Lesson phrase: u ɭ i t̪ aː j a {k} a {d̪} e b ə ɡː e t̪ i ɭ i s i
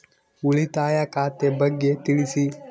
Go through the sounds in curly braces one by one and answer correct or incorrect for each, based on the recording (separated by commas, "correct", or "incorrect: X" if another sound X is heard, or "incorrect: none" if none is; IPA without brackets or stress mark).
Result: correct, incorrect: t̪